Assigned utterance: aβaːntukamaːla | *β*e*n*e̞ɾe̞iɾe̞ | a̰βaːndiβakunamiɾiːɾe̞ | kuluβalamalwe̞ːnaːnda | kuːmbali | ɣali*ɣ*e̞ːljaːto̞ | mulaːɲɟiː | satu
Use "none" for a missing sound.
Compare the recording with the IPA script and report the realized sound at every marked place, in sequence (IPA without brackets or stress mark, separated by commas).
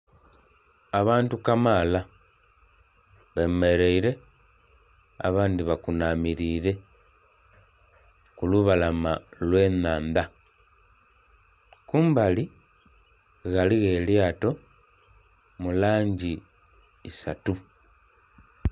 β, m, ɣ